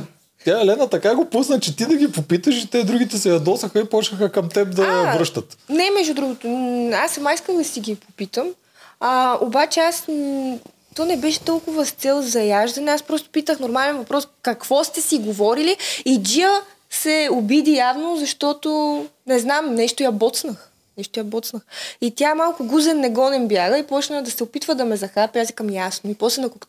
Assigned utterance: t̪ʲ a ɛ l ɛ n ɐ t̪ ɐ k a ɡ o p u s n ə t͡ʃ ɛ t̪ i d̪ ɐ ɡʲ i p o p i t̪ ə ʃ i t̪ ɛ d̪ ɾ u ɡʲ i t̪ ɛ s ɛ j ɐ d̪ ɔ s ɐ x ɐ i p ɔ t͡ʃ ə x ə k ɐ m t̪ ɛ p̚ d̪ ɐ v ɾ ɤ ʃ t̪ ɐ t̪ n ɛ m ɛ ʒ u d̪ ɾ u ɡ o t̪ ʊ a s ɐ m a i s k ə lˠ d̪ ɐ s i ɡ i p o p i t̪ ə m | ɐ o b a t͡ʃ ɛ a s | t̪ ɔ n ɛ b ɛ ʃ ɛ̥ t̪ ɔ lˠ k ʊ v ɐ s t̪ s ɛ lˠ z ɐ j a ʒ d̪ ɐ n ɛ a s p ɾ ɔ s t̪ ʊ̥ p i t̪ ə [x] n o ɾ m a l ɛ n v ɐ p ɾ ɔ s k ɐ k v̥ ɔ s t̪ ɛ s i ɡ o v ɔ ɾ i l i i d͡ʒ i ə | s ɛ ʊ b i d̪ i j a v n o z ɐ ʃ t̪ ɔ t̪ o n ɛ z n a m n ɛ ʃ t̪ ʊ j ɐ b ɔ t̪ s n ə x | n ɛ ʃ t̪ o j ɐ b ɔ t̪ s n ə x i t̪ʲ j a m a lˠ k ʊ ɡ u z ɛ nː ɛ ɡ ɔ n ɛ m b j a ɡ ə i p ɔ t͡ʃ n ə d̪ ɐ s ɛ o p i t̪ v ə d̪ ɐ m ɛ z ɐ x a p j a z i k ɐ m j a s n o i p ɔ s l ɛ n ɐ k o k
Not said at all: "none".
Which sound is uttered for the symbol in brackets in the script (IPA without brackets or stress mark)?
x